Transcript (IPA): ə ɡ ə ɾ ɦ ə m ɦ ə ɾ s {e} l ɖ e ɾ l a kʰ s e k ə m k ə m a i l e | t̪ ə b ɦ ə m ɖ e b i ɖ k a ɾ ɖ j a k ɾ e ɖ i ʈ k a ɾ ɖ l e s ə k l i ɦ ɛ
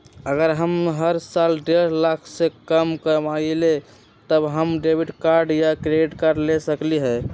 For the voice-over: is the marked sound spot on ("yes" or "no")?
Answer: no